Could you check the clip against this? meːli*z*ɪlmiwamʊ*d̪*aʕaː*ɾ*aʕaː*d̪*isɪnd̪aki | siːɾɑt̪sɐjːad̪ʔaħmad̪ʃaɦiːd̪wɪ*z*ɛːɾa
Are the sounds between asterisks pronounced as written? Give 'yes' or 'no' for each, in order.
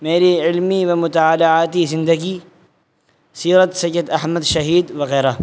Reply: no, no, no, no, no

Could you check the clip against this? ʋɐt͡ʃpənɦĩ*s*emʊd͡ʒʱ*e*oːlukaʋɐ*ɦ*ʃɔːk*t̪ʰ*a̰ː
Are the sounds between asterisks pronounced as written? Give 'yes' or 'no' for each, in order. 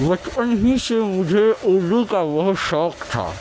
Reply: yes, yes, yes, yes

